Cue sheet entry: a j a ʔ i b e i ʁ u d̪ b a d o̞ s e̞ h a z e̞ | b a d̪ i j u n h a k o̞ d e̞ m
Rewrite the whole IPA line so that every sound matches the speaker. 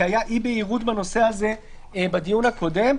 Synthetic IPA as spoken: a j a ʔ i b e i ʁ u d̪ b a n o̞ s e̞ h a z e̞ | b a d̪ i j u n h a k o̞ d e̞ m